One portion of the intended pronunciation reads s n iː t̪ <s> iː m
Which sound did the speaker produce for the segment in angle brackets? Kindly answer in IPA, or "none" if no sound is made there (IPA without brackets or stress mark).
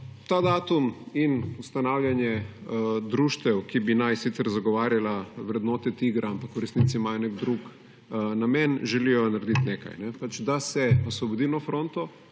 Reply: s